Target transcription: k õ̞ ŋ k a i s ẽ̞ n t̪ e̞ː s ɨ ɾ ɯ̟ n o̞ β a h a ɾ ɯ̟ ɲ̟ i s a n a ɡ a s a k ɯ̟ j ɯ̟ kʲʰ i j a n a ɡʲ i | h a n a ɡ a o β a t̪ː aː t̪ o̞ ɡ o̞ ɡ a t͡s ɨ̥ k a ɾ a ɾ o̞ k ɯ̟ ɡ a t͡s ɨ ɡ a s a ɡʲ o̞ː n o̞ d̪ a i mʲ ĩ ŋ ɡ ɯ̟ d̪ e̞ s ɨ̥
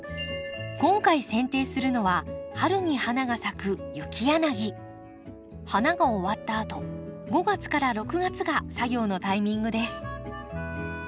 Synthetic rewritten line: k õ̞ ŋ k a i s ẽ̞ n t̪ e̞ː s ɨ ɾ ɯ̟ n o̞ β a h a ɾ ɯ̟ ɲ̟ i h a n a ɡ a s a k ɯ̟ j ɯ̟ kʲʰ i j a n a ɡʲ i | h a n a ɡ a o β a t̪ː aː t̪ o̞ ɡ o̞ ɡ a t͡s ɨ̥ k a ɾ a ɾ o̞ k ɯ̟ ɡ a t͡s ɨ ɡ a s a ɡʲ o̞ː n o̞ t̪ a i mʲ ĩ ŋ ɡ ɯ̟ d̪ e̞ s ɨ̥

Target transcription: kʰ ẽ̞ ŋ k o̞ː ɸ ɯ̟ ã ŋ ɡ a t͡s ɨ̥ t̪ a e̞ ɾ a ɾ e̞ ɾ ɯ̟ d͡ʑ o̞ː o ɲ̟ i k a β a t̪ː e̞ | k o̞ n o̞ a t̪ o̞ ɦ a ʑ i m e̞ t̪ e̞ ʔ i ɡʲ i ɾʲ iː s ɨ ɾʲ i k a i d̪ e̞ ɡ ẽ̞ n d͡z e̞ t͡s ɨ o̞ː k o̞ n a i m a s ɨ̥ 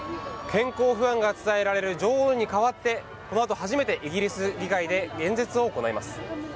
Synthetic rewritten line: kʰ ẽ̞ ŋ k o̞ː ɸ ɯ̟ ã ŋ ɡ a t͡s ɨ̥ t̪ a e̞ ɾ a ɾ e̞ ɾ ɯ̟ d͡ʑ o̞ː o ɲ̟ i k a β a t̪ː e̞ | k o̞ n o̞ a t̪ o̞ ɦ a ʑ i m e̞ t̪ e̞ ʔ i ɡʲ i ɾʲ i s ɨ ɾʲ i k a i d̪ e̞ ɡ ẽ̞ n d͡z e̞ t͡s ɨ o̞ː k o̞ n a i m a s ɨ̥

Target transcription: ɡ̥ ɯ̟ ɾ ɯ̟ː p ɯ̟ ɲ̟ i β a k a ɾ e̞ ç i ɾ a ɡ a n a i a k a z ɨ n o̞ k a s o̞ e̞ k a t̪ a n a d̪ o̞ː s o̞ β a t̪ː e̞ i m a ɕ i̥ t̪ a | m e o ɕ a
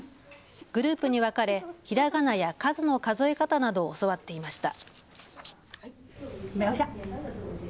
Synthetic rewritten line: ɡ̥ ɯ̟ ɾ ɯ̟ː p ɯ̟ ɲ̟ i β a k a ɾ e̞ ç i ɾ a ɡ a n a j a k a z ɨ n o̞ k a z o̞ e̞ k a t̪ a n a d̪ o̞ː s o̞ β a t̪ː e̞ i m a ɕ i̥ t̪ a | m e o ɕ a

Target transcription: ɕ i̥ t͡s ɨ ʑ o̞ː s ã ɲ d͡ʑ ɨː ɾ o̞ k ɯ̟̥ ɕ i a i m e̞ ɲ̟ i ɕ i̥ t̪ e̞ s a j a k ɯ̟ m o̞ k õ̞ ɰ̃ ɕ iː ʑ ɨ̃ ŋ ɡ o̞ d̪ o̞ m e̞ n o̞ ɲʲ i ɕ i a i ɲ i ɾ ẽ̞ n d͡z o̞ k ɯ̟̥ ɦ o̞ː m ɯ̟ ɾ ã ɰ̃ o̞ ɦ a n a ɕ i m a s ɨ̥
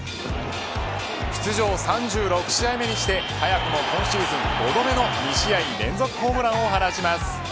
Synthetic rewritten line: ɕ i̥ t͡s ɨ ʑ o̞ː s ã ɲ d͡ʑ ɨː ɾ o̞ k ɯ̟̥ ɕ i a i m e̞ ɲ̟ i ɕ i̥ t̪ e̞ h a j a k ɯ̟ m o̞ k õ̞ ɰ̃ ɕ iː z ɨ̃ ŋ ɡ o̞ d̪ o̞ m e̞ n o̞ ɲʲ i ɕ i a i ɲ i ɾ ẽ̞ n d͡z o̞ k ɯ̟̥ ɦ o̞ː m ɯ̟ ɾ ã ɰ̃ o̞ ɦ a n a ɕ i m a s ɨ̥

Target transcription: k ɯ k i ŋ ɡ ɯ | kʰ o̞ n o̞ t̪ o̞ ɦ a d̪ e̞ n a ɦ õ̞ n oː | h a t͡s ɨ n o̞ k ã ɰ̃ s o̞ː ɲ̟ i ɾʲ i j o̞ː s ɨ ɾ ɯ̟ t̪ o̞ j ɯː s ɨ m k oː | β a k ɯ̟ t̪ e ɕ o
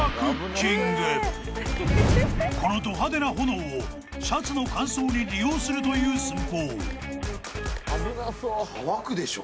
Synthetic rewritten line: k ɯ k i ŋ ɡ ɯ | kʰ o̞ n o̞ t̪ o̞ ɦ a d̪ e̞ n a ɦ o̞ n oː | ɕ a t͡s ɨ n o̞ k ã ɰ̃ s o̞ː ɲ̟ i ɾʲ i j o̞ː s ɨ ɾ ɯ̟ t̪ o̞ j ɯː s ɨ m k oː | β a k ɯ̟ d̪ e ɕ o

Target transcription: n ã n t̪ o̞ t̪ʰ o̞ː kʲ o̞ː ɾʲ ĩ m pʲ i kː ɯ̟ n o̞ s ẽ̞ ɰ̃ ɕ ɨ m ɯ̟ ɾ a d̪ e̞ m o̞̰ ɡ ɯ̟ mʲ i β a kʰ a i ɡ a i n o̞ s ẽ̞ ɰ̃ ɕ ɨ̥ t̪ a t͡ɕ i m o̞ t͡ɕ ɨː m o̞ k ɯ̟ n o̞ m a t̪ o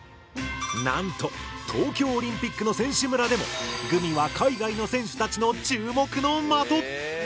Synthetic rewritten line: n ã n t̪ o̞ t̪ʰ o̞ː kʲ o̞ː ɾʲ ĩ m pʲ i kː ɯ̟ n o̞ s ẽ̞ ɰ̃ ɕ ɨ m ɯ̟ ɾ a d̪ e̞ m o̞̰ ɡ ɯ̟ mʲ i β a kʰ a i ɡ a i n o̞ s ẽ̞ ɰ̃ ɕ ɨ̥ t̪ a t͡ɕ i n o̞ t͡ɕ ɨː m o̞ k ɯ̟ n o̞ m a t̪ o

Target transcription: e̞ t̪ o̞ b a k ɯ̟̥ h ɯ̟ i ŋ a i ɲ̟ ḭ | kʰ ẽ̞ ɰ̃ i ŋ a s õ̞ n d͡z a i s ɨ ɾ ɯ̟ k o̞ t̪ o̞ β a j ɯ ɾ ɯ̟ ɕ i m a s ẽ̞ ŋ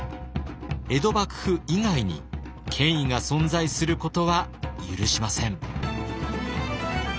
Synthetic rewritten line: e̞ d̪ o̞ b a k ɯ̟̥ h ɯ̟ i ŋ a i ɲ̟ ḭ | kʰ ẽ̞ ɰ̃ i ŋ a s õ̞ n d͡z a i s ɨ ɾ ɯ̟ k o̞ t̪ o̞ β a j ɯ ɾ ɯ̟ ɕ i m a s ẽ̞ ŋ

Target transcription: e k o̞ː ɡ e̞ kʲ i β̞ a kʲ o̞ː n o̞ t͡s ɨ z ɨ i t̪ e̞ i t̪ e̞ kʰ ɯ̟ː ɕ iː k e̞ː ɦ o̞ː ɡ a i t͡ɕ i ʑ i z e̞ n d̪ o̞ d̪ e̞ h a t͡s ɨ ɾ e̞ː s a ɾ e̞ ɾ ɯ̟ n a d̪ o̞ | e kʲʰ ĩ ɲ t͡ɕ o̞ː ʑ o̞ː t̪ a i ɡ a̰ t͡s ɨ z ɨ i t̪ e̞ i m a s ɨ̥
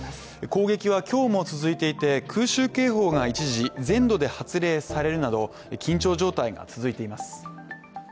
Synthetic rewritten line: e k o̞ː ɡ e̞ kʲ i β̞ a kʲ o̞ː m o̞ t͡s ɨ z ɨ i t̪ e̞ i t̪ e̞ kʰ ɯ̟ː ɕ ɨː k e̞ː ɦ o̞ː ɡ a i t͡ɕ i ʑ i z ẽ̞ n d̪ o̞ d̪ e̞ h a t͡s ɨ ɾ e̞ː s a ɾ e̞ ɾ ɯ̟ n a d̪ o̞ | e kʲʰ ĩ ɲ t͡ɕ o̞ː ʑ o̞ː t̪ a i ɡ a̰ t͡s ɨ z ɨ i t̪ e̞ i m a s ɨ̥

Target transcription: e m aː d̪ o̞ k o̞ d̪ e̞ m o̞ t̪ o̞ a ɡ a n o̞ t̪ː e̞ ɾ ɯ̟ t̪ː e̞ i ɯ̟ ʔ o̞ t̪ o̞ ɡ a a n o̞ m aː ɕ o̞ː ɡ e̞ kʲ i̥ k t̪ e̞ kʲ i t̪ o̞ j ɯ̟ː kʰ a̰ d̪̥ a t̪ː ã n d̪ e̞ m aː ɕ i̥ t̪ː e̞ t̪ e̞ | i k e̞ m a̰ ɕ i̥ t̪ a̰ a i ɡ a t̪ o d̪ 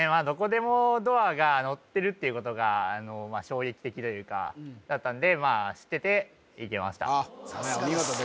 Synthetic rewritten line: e m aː d̪ o̞ k o̞ d̪ e̞ m o̞ d̪ o̞ a ɡ a n o̞ t̪ː e̞ ɾ ɯ̟ t̪ː e̞ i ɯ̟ k o̞ t̪ o̞ ɡ a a n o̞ m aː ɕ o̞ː ɡ e̞ kʲ i̥ t̪ e̞ kʲ i t̪ o̞ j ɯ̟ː k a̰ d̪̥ a t̪ː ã n d̪ e̞ m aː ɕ i̥ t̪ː e̞ t̪ e̞ | i k e̞ m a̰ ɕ i̥ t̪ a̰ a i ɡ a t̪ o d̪

